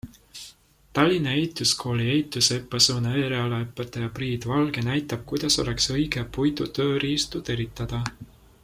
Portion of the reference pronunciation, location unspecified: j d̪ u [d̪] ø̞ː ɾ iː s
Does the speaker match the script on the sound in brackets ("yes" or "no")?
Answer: no